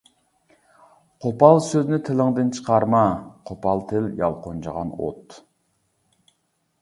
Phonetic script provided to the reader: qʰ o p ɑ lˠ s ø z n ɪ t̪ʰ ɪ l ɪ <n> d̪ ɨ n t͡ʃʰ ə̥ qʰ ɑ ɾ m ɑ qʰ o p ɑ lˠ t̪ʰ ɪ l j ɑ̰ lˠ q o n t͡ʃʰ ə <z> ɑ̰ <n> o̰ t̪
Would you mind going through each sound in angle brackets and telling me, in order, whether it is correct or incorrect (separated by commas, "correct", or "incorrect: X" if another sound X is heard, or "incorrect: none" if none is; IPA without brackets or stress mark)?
incorrect: ŋ, incorrect: ʁ, correct